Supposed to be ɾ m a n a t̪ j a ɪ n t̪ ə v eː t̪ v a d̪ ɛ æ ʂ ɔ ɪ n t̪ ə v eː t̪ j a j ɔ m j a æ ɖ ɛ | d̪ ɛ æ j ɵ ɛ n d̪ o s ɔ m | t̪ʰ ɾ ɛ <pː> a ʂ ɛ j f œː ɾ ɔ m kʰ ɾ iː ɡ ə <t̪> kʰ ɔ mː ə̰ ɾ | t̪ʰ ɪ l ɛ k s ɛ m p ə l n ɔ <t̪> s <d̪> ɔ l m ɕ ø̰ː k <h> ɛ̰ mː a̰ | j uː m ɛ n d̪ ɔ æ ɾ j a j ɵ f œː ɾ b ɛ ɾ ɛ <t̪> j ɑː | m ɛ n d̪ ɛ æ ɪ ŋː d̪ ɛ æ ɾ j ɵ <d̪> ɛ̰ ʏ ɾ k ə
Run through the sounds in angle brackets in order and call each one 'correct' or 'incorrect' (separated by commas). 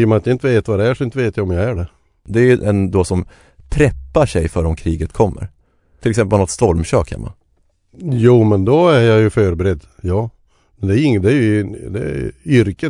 correct, correct, correct, incorrect, correct, incorrect, correct